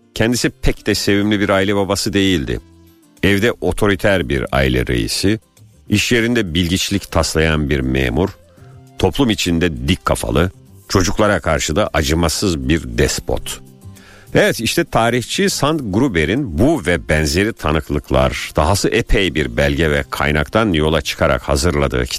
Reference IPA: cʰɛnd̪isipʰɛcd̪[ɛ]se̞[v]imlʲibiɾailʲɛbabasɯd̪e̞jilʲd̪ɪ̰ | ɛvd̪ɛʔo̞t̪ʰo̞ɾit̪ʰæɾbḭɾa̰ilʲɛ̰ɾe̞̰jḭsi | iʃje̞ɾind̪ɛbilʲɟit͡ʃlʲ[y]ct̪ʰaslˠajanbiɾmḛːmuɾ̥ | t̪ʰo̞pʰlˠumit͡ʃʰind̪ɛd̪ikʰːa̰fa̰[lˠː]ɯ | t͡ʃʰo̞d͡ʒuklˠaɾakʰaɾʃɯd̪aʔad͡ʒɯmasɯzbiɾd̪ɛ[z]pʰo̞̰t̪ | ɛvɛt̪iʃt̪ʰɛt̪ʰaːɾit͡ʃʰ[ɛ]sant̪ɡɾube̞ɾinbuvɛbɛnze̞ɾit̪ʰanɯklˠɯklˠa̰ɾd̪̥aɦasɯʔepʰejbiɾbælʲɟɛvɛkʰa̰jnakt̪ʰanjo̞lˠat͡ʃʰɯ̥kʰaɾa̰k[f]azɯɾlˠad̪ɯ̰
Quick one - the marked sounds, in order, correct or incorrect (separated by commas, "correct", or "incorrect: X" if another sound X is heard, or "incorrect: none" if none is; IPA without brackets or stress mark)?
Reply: correct, correct, incorrect: i, incorrect: lˠ, incorrect: s, incorrect: i, incorrect: h